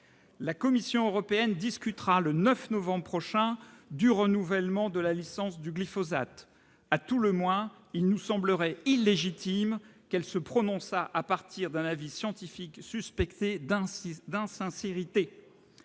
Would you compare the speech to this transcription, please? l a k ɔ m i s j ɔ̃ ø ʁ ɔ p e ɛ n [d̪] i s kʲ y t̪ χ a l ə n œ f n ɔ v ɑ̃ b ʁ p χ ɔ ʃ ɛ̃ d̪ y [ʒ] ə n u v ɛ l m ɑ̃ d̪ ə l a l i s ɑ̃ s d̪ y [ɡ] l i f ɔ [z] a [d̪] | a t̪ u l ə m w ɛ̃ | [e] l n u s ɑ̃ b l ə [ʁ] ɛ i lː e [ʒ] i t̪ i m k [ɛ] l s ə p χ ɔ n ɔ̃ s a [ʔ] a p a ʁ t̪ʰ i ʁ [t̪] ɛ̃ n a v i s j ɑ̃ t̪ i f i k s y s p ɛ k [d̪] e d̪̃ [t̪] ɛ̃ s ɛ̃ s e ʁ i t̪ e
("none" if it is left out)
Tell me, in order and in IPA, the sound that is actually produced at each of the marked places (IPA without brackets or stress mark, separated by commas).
d̪, ʁ, ɡ, z, t̪, i, ʁ, ʒ, ɛ, ʔ, d̪, t̪, d̪